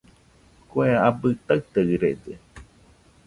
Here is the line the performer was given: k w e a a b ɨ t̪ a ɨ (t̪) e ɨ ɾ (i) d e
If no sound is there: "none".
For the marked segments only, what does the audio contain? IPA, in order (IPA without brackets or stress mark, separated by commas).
t̪, e